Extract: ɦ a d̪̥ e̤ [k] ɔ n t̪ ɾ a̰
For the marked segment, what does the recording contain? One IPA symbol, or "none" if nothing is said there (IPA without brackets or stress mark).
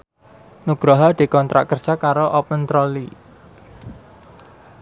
k